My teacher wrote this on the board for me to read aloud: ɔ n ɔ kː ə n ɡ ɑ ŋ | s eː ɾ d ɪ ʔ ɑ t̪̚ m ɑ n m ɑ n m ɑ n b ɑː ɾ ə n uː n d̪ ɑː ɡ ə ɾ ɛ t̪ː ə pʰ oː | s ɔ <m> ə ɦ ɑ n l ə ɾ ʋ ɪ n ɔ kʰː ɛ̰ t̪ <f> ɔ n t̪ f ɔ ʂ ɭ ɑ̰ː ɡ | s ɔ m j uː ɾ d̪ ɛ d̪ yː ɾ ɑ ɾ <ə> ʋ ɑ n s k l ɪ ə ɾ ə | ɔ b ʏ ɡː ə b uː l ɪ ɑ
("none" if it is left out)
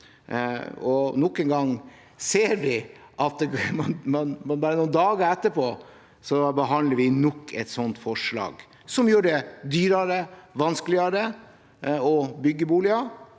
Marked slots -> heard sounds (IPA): b, s, ə

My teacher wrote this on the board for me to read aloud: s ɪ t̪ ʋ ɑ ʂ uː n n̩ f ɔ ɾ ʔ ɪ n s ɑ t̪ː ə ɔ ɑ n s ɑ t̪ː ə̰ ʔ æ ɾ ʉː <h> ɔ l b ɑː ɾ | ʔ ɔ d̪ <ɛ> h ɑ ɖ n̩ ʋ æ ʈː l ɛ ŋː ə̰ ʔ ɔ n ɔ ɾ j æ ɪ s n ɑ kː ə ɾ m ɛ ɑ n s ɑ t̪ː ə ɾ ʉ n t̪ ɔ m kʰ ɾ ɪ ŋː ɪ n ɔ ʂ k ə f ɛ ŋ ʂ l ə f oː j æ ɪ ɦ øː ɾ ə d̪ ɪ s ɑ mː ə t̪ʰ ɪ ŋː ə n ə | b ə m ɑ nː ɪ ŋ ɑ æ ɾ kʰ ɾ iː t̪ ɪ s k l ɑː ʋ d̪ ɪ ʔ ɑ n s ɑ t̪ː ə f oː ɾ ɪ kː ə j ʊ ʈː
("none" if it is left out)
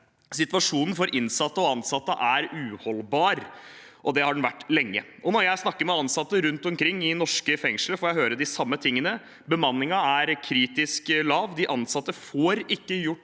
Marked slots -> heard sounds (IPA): h, ɛ

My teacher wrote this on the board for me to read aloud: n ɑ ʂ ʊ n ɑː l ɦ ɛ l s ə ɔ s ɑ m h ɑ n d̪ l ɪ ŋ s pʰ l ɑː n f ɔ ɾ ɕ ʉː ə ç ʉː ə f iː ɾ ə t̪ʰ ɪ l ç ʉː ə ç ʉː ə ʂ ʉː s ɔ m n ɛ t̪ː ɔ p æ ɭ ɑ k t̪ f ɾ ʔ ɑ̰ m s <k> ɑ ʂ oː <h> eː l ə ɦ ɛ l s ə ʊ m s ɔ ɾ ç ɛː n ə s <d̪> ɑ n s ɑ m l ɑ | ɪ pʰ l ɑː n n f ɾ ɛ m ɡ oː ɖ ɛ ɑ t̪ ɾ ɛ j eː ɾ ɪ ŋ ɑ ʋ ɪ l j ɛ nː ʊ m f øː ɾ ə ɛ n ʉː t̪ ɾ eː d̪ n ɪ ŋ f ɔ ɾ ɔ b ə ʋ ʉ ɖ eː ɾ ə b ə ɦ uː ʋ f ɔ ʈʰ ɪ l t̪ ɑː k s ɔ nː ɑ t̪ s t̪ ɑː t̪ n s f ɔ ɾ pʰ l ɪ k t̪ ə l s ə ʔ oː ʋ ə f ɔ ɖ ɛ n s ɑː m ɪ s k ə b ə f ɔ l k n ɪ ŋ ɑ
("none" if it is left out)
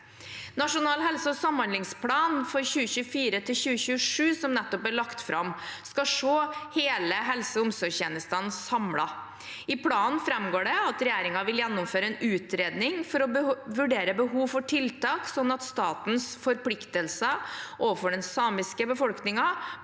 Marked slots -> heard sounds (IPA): k, h, t̪

